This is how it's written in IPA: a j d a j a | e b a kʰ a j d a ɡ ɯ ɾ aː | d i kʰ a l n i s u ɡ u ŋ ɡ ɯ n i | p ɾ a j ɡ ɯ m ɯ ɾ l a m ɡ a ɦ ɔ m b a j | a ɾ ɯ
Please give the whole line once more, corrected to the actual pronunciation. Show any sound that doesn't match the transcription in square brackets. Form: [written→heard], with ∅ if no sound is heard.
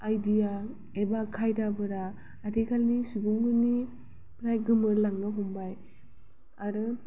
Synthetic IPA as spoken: a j d [a→i] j a | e b a kʰ a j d a [ɡ→b] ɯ ɾ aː | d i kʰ a l n i s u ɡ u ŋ ɡ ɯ n i | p ɾ a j ɡ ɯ m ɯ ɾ l a [m→ŋ] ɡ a ɦ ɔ m b a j | a ɾ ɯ

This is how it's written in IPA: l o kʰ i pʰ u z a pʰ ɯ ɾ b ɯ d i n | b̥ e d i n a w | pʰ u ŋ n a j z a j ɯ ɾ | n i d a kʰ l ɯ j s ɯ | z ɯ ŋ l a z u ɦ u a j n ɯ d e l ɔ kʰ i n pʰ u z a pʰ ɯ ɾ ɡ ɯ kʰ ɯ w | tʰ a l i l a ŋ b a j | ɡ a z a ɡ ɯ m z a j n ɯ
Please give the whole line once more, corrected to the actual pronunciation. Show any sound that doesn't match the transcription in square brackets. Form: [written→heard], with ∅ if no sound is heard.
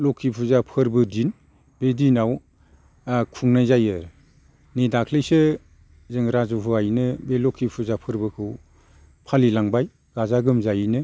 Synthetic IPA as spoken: l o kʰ i pʰ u z a pʰ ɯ ɾ b ɯ d i n | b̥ e d i n a w | [pʰ→kʰ] u ŋ n a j z a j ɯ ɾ | n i d a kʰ l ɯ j s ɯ | z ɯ ŋ [l→ɾ] a z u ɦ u a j n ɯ [d→b] e l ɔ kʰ i [n→∅] pʰ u z a pʰ ɯ ɾ [ɡ→b] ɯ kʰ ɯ w | [tʰ→pʰ] a l i l a ŋ b a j | ɡ a z a ɡ ɯ m z a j n ɯ

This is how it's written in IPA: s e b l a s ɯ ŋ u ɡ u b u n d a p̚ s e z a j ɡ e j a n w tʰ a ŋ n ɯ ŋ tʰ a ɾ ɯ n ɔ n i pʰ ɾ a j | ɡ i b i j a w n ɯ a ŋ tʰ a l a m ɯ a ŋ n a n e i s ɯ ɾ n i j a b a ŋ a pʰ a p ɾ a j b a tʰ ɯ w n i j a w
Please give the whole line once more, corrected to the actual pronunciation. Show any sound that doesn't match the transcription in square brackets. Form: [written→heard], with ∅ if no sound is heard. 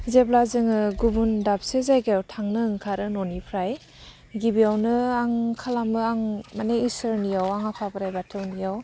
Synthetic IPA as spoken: [s→z] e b l a [s→z] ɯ ŋ [u→ɯ] ɡ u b u n d a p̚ s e z a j ɡ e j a [n→∅] w tʰ a ŋ n ɯ ŋ [tʰ→kʰ] a ɾ ɯ n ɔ n i pʰ ɾ a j | ɡ i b i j a w n ɯ a ŋ [tʰ→kʰ] a l a m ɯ a ŋ [n→m] a n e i s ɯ ɾ n i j a [b→w] a ŋ a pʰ a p ɾ a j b a tʰ ɯ w n i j a w

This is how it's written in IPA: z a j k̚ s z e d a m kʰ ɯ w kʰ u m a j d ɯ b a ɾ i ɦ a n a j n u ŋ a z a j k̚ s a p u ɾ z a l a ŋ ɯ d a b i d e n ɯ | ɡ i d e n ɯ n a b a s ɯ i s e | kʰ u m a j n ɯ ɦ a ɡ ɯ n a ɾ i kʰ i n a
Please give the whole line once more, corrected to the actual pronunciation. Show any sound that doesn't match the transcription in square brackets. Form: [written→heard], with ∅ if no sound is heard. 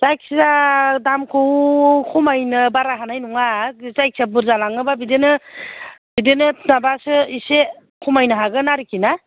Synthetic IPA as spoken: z a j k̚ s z [e→a] d a m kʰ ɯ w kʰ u m a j [d→n] ɯ b a ɾ [i→a] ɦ a n a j n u ŋ a z a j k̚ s a [p→b] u ɾ z a l a ŋ ɯ [d→b] a b i d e n ɯ | [ɡ→b] i d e n ɯ n a b a s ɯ i s e | kʰ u m a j n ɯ ɦ a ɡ ɯ n a ɾ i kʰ i n a

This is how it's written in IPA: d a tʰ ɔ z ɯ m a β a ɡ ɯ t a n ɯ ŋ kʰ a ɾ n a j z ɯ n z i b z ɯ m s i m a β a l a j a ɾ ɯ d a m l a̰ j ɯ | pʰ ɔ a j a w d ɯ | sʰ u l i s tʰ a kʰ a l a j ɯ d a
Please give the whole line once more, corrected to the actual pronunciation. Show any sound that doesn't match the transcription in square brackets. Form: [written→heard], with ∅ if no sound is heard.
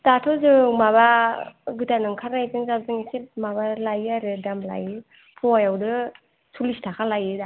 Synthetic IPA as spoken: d a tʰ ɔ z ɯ m a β a ɡ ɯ t a n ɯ ŋ kʰ a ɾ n a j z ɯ [n→ŋ] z [i→a] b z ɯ [m→ŋ] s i m a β a l a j a ɾ ɯ d a m l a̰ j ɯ | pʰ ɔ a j a w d ɯ | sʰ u l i s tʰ a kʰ a l a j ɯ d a

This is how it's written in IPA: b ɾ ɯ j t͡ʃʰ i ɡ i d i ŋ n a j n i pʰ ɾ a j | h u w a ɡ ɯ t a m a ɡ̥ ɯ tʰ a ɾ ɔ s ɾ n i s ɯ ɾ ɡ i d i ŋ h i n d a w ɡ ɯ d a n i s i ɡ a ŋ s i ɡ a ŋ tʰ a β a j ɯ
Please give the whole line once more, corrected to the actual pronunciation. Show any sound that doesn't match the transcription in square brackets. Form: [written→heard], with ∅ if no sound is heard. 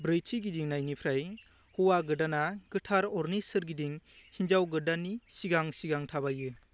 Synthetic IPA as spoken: b ɾ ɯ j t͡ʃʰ i ɡ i d i ŋ n a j n i pʰ ɾ a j | h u w a ɡ ɯ [t→d] a [m→n] a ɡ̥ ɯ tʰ a ɾ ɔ [s→∅] ɾ n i s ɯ ɾ ɡ i d i ŋ h i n [d→d͡ʒ] a w ɡ ɯ d a n i s i ɡ a ŋ s i ɡ a ŋ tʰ a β a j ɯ

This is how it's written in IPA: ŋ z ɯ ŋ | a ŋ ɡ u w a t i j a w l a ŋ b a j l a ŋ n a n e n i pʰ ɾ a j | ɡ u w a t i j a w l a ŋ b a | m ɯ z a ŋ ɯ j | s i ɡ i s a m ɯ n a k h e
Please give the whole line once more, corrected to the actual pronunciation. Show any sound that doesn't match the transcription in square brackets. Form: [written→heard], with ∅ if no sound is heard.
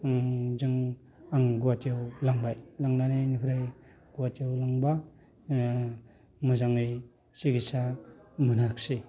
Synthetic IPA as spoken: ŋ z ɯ ŋ | a ŋ ɡ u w a t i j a w l a ŋ b a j l a ŋ n a n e n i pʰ ɾ a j | ɡ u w a t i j a w l a ŋ b a | m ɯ z a ŋ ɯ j | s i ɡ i s a m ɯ n a k [h→s] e

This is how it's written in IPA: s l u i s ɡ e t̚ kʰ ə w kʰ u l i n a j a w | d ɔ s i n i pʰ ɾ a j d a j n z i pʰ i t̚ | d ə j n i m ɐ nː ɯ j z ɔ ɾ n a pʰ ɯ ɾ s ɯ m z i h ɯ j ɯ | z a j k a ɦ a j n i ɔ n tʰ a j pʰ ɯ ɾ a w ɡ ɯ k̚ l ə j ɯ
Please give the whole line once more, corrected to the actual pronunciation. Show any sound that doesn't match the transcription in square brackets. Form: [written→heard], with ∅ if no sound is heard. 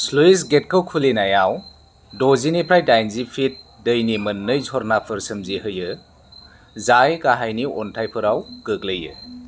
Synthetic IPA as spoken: s l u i s ɡ e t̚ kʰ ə w kʰ u l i n a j a w | d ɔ [s→z] i n i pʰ ɾ a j d a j n z i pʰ i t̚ | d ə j n i m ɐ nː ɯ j z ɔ ɾ n a pʰ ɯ ɾ s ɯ m z i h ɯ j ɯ | z a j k a ɦ a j n i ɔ n tʰ a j pʰ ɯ ɾ a w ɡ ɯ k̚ l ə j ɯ

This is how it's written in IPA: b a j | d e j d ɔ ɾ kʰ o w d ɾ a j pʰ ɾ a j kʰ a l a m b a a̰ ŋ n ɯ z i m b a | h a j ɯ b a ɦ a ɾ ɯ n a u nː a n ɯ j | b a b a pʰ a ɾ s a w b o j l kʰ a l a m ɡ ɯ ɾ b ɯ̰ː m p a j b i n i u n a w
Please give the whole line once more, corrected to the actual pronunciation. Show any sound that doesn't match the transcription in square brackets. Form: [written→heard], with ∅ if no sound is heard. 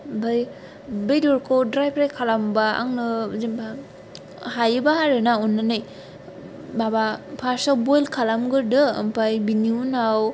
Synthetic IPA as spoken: b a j | [d→b] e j d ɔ ɾ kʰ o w d ɾ a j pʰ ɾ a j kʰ a l a m b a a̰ ŋ n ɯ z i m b a | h a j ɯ b a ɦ a ɾ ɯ n a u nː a n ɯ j | b a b a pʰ a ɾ s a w b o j l kʰ a l a m ɡ ɯ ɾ [b→d] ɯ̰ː m p a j b i n i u n a w

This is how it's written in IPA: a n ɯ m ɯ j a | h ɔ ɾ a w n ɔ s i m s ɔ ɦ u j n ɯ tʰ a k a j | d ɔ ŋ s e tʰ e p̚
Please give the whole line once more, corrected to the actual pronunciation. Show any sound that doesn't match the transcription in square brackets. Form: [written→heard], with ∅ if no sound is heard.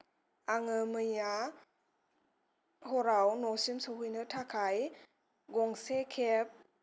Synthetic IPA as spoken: a [n→ŋ] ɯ m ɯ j a | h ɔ ɾ a w n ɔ s i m s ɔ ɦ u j n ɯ tʰ a [k→kʰ] a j | [d→ɡ] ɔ ŋ s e [tʰ→kʰ] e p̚

